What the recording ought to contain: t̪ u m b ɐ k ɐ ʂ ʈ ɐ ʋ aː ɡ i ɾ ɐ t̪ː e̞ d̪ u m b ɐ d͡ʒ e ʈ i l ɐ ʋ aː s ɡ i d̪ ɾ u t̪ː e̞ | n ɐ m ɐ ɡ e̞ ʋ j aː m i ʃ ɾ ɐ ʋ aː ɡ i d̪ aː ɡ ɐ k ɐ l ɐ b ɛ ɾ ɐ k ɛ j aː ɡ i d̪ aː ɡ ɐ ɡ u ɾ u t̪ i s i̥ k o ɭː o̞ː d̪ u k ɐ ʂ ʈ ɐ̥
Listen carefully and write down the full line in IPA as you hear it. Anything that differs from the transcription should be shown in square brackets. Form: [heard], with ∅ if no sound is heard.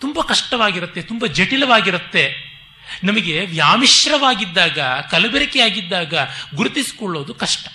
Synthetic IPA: t̪ u m b ɐ k ɐ ʂ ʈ ɐ ʋ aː ɡ i ɾ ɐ t̪ː e̞ [t̪] u m b ɐ d͡ʒ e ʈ i l ɐ ʋ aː [∅] ɡ i [∅] ɾ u t̪ː e̞ | n ɐ m ɐ ɡ e̞ ʋ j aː m i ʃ ɾ ɐ ʋ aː ɡ i [d̪ː] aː ɡ ɐ k ɐ l ɐ b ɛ ɾ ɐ k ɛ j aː ɡ i [d̪ː] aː ɡ ɐ ɡ u ɾ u t̪ i s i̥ k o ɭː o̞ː d̪ u k ɐ ʂ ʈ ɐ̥